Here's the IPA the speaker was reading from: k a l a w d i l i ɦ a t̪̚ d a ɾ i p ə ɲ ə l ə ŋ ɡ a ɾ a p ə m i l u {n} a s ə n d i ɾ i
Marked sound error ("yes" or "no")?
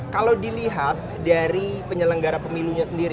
yes